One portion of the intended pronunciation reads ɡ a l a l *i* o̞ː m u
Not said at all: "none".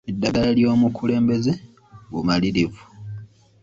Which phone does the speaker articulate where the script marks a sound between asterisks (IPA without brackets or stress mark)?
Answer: j